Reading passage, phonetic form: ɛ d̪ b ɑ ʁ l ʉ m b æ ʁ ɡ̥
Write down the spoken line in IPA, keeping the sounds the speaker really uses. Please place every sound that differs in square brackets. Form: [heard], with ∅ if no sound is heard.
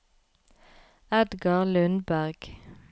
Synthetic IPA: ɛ d̪ [ɡ] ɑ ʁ l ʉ [n] b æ ʁ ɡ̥